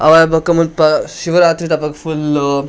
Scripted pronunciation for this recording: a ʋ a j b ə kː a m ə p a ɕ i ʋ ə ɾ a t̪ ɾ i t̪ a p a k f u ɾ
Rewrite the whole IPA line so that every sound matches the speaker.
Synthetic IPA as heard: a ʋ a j b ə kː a m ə p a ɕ i ʋ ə ɾ a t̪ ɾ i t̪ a p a k f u l